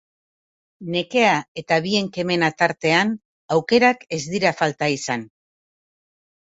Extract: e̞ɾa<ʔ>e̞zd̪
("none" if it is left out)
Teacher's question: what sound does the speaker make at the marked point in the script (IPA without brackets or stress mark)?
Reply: k